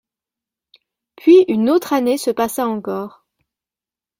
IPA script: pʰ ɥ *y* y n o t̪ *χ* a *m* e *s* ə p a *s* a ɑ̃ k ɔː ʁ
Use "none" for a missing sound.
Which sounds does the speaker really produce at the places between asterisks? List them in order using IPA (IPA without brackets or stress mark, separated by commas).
i, χ, n, s, s